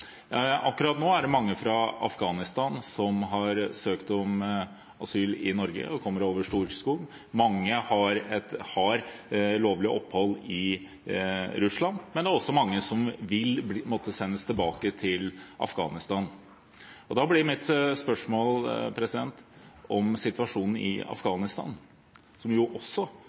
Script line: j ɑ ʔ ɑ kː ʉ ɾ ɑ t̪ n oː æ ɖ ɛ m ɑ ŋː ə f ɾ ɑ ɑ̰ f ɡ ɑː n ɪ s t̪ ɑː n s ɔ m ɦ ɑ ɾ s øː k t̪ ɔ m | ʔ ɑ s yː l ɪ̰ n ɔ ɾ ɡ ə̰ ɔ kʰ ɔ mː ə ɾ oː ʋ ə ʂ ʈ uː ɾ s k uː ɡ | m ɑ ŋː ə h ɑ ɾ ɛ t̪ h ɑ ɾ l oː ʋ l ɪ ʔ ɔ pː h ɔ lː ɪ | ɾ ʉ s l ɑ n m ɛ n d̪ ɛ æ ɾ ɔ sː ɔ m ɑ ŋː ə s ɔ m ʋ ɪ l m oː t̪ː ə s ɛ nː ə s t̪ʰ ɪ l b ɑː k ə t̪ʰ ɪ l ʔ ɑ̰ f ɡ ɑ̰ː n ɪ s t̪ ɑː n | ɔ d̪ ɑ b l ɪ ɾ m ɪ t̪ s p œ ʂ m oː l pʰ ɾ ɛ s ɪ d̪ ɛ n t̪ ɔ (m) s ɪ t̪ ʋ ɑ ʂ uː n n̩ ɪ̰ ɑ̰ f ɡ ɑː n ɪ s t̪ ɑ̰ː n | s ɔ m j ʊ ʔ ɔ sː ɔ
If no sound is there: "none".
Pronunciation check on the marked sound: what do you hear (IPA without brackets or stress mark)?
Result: m